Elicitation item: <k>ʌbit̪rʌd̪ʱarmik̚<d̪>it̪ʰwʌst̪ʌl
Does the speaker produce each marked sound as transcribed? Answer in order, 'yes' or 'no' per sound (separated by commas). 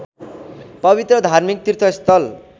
no, no